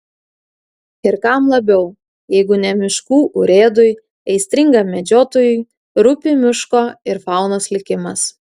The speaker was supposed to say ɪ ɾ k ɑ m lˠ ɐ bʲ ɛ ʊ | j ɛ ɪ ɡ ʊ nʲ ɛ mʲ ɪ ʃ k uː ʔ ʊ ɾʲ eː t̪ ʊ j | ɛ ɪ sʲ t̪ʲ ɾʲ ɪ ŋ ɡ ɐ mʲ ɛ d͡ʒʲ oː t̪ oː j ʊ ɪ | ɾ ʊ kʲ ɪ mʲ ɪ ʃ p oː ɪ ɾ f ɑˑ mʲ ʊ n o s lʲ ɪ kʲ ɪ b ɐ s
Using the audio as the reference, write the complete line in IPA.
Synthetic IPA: ɪ ɾ k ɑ m lˠ ɐ bʲ ɛ ʊ | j ɛ ɪ ɡ ʊ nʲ ɛ mʲ ɪ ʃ k uː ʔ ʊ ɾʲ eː d̪ ʊ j | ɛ ɪ sʲ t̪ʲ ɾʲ ɪ ŋ ɡ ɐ mʲ ɛ d͡ʒʲ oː t̪ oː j ʊ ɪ | ɾ ʊ pʲ ɪ mʲ ɪ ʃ k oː ɪ ɾ f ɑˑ ʊ n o s lʲ ɪ kʲ ɪ m ɐ s